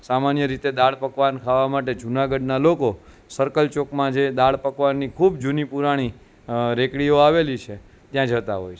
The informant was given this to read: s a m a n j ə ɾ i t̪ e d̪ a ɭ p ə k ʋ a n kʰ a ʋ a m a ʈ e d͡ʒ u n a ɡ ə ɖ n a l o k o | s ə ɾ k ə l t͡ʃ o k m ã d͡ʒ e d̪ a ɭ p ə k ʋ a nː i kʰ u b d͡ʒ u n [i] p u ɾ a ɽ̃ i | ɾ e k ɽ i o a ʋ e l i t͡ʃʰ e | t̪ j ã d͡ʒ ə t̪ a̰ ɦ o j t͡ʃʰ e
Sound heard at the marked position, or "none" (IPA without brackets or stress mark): i